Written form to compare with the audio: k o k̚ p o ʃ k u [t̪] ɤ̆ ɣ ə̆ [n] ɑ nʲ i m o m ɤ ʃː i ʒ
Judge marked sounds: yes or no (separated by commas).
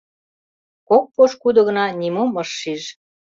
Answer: no, yes